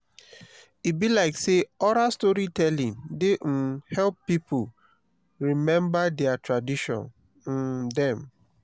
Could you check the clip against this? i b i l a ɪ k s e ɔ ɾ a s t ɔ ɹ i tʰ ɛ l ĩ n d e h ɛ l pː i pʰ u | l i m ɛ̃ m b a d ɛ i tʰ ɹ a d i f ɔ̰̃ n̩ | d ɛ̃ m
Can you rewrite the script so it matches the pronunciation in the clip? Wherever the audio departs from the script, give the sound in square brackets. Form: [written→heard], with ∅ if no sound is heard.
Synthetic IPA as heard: i b i l a ɪ k s e ɔ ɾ a s t ɔ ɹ i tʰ ɛ l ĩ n d e h ɛ l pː i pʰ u | [l→ɹ] i m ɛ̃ m b a d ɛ [i→a] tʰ ɹ a d i [f→ʃ] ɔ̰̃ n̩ | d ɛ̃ m